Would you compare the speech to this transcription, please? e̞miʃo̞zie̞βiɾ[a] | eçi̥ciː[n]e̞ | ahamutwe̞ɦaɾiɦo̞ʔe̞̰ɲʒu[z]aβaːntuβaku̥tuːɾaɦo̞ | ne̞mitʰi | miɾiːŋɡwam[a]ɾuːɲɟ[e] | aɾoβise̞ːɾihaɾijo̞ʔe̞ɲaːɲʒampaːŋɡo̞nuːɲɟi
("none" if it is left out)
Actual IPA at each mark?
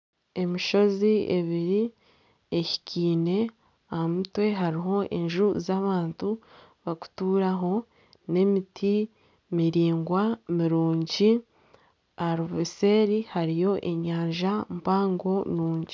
i, n, z, i, i

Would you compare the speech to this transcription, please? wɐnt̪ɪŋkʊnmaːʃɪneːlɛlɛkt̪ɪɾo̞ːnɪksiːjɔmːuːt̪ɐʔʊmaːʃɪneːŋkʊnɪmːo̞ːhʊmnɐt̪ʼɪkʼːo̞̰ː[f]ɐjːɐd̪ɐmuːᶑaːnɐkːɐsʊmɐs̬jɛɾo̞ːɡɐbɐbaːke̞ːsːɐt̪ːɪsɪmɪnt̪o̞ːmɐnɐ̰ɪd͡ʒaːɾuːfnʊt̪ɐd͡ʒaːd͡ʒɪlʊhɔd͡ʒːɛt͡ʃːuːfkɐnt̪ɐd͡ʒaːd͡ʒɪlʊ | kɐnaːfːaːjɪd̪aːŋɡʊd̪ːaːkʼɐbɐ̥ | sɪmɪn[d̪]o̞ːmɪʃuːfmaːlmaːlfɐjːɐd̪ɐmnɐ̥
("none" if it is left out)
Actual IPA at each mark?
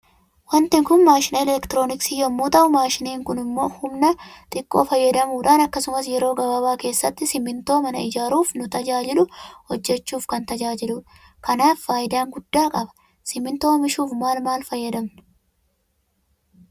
f, t̪

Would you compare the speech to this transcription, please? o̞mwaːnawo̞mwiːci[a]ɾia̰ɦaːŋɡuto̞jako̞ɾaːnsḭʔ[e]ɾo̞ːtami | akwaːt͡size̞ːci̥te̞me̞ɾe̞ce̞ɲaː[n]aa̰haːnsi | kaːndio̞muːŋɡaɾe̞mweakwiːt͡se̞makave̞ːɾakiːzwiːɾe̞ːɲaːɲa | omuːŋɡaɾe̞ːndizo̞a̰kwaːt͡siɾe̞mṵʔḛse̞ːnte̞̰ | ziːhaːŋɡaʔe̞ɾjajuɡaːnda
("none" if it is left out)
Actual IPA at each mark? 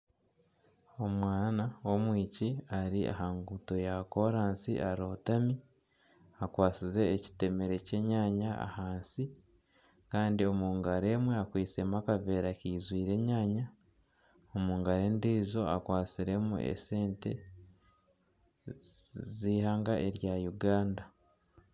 a, a, ɲ

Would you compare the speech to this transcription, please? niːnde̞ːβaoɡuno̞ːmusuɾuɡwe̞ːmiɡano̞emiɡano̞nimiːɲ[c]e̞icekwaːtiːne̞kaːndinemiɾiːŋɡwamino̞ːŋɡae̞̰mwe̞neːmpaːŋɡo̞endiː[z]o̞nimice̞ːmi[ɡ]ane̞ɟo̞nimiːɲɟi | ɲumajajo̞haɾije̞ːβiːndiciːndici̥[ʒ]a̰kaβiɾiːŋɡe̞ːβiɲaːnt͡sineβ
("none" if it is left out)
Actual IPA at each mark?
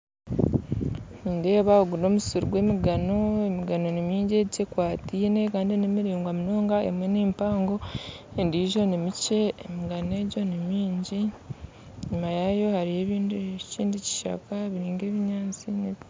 ɟ, ʒ, ɡ, ʃ

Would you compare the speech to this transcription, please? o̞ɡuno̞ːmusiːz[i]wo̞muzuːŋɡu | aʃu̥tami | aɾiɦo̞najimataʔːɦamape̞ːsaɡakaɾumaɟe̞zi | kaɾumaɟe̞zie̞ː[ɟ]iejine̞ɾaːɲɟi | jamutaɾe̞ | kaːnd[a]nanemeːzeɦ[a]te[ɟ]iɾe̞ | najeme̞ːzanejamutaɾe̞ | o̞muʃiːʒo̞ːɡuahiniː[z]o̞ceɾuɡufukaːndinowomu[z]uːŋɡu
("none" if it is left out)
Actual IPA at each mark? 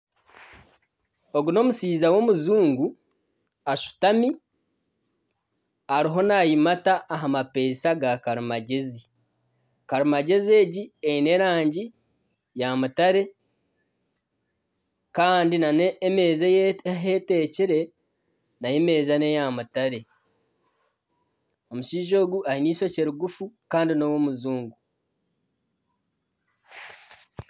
a, ɟ, i, e, c, s, z

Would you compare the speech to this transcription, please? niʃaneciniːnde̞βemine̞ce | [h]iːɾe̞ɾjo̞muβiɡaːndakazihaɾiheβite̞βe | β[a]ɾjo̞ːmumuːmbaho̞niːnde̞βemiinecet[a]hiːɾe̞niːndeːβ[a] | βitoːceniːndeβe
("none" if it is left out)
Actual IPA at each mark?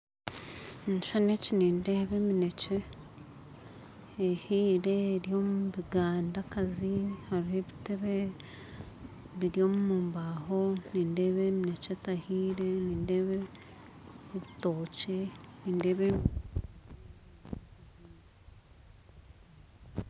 h, i, a, e

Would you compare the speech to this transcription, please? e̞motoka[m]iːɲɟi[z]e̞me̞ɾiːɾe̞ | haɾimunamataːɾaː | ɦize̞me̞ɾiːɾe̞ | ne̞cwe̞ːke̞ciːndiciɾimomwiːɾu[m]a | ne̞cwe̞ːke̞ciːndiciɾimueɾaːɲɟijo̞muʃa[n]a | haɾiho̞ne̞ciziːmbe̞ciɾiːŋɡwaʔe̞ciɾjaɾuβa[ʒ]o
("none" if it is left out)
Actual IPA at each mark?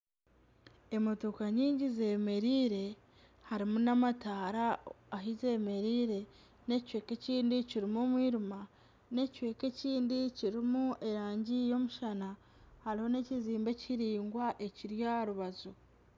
ɲ, z, m, n, z

